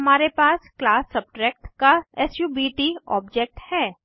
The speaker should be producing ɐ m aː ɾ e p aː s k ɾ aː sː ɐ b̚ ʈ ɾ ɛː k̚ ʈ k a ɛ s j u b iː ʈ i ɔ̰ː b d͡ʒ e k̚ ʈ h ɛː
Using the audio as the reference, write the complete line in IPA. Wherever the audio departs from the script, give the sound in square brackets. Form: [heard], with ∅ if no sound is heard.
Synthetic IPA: ɐ m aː ɾ e p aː s k [l] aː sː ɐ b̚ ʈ ɾ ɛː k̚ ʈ k a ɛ s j u b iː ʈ i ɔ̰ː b d͡ʒ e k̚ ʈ h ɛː